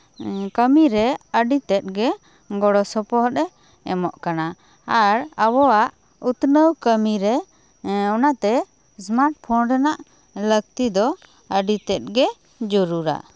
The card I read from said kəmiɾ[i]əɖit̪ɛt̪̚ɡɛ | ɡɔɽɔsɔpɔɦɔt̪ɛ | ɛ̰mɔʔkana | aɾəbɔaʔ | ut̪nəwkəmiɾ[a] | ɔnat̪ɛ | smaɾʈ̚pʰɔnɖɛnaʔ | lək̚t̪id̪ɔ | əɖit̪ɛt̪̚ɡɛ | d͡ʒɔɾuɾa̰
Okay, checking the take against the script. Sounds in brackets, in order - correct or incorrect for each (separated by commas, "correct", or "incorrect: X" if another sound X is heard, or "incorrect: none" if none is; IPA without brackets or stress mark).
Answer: incorrect: ɛ, incorrect: ɛ